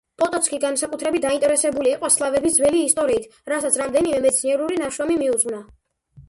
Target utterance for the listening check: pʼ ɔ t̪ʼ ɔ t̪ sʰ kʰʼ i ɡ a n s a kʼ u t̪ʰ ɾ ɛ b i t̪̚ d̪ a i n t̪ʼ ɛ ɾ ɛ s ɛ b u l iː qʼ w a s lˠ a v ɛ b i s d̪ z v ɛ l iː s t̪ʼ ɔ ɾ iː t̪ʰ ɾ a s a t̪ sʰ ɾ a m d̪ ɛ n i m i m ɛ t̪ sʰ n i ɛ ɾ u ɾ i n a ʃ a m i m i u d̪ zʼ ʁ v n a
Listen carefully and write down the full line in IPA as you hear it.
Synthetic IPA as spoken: pʼ ɔ t̪ʼ ɔ t̪ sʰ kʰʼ i ɡ a n s a kʼ u t̪ʰ ɾ ɛ b i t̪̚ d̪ a i n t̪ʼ ɛ ɾ ɛ s ɛ b u l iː qʼ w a s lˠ a v ɛ b i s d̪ z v ɛ l iː s t̪ʼ ɔ ɾ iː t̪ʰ ɾ a s a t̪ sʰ ɾ a m d̪ ɛ n i m ɛ m ɛ t̪ sʰ n i ɛ ɾ u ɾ i n a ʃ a m i m i u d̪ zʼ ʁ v n a